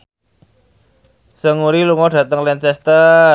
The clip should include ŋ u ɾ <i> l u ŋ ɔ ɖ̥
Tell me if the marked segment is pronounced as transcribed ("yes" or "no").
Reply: yes